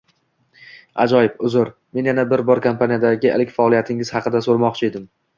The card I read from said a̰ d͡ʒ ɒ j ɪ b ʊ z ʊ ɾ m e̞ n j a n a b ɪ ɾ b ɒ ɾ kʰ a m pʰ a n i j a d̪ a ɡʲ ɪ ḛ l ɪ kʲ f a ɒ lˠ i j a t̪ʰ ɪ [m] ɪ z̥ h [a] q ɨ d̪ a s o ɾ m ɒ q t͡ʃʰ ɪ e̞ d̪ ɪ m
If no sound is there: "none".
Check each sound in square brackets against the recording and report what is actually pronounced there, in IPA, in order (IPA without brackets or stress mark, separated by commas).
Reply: ŋ, ɑ